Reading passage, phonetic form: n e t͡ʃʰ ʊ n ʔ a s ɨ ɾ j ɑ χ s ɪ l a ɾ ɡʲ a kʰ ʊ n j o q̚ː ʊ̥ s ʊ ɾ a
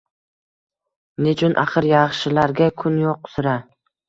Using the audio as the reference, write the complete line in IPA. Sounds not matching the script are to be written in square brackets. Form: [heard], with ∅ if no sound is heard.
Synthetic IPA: n e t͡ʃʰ ʊ n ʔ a [χ] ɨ ɾ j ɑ χ [ʃ] ɪ l a ɾ ɡʲ a kʰ ʊ n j o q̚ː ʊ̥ s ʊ ɾ a